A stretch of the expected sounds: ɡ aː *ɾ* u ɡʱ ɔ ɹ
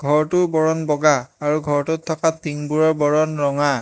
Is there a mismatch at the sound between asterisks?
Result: yes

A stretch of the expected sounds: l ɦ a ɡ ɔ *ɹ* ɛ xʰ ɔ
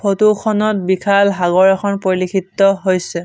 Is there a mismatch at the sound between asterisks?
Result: no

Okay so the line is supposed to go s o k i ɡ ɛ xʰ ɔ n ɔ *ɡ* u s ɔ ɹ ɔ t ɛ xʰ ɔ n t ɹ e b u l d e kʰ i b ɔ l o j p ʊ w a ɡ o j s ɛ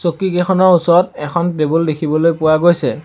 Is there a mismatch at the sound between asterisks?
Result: yes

